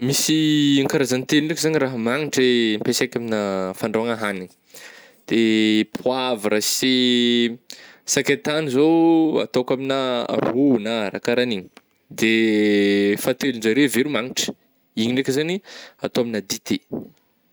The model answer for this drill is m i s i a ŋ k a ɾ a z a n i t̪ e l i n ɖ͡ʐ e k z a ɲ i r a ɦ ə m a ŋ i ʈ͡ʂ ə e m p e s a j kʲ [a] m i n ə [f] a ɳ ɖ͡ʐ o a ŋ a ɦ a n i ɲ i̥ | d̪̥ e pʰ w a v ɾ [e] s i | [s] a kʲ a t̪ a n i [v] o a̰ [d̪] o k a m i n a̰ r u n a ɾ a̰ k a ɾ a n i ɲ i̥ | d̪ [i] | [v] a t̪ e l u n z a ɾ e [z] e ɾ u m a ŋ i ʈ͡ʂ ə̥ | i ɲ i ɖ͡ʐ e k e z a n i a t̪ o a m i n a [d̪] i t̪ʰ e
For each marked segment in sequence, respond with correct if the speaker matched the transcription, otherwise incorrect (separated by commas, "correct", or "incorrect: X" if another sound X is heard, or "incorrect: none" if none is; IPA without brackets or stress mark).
correct, correct, incorrect: a, correct, incorrect: z, incorrect: t̪, incorrect: e, incorrect: f, incorrect: v, correct